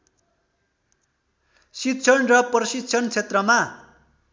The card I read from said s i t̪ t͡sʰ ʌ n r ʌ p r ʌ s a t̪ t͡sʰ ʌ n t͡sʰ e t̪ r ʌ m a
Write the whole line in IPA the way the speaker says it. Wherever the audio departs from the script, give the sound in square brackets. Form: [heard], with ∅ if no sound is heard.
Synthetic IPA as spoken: s i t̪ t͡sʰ ʌ n r ʌ p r ʌ s [i] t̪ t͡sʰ ʌ n t͡sʰ e t̪ r ʌ m a